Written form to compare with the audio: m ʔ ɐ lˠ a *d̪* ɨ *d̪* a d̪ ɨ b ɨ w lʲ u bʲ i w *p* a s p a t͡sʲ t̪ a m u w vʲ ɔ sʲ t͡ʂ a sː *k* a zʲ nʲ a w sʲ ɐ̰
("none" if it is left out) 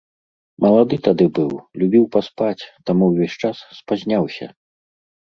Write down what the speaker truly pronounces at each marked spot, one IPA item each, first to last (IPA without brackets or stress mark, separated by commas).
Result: d̪, t̪, p, p